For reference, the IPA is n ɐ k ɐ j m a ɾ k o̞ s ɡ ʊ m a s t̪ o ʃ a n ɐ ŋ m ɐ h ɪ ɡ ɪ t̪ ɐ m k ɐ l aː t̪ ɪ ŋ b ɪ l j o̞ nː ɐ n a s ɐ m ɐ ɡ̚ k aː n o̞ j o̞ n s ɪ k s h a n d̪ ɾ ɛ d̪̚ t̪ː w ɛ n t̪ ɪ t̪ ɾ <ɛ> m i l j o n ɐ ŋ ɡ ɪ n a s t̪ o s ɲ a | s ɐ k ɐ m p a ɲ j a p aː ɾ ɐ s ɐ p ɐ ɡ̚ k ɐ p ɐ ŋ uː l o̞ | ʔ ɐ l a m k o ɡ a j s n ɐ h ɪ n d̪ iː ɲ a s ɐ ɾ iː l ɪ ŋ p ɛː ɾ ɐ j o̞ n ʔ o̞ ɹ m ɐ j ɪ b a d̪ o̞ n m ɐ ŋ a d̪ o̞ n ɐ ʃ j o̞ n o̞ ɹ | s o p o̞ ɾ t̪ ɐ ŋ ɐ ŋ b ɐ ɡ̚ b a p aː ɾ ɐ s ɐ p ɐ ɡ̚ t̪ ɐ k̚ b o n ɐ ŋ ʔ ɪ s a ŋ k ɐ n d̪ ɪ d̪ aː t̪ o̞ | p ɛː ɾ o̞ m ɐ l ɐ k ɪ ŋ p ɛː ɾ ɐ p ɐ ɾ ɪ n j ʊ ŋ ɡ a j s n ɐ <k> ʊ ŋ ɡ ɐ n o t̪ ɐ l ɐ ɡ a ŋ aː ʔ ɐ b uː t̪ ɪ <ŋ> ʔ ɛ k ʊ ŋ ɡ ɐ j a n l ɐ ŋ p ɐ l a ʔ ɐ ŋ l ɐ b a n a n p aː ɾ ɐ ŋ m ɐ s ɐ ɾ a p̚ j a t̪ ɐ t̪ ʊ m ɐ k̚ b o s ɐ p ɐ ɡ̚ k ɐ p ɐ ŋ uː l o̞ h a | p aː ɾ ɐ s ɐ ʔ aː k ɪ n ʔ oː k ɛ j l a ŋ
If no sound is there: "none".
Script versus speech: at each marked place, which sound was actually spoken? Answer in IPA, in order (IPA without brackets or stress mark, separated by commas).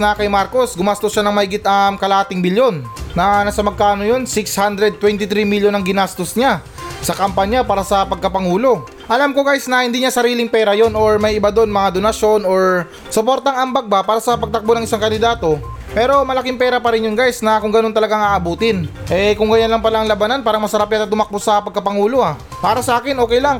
i, k, n